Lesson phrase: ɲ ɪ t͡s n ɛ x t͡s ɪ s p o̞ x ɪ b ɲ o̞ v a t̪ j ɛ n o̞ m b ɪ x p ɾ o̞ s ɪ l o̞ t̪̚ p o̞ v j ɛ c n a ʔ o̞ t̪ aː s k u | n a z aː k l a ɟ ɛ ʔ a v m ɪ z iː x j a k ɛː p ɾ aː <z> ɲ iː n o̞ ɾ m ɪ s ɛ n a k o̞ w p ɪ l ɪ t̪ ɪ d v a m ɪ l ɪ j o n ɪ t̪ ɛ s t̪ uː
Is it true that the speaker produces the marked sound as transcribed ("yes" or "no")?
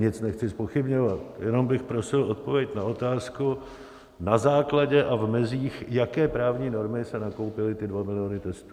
no